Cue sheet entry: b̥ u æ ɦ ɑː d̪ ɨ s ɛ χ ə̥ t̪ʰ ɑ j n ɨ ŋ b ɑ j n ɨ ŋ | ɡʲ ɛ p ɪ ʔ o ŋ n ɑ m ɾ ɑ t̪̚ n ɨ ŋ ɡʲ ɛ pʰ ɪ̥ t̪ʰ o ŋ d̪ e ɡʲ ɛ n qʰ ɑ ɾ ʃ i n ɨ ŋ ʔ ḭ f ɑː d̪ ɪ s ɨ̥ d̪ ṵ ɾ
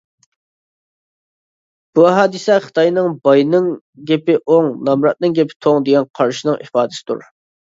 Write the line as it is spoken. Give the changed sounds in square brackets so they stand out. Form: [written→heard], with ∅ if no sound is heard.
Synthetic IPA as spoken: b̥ u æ ɦ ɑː d̪ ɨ s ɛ χ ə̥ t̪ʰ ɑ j n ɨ ŋ b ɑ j n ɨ ŋ | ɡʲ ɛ p ɪ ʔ o ŋ n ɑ m ɾ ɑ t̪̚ n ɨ ŋ ɡʲ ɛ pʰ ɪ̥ t̪ʰ o ŋ d̪ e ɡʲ ɛ n qʰ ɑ ɾ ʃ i n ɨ ŋ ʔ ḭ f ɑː d̪ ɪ s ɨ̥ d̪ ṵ ɾ